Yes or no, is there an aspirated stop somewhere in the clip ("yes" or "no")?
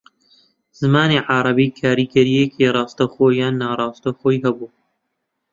yes